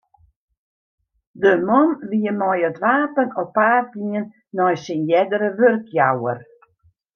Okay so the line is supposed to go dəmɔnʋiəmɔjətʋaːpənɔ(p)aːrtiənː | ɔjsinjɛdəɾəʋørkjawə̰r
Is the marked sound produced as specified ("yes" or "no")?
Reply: yes